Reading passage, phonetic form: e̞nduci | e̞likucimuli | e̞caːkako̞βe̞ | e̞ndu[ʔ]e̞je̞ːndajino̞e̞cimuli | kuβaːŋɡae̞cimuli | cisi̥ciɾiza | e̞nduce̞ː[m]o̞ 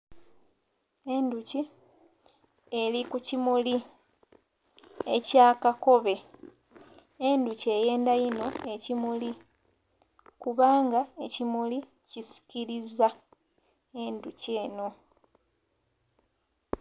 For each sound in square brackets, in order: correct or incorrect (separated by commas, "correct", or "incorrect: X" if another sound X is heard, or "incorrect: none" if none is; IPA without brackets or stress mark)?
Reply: incorrect: c, incorrect: n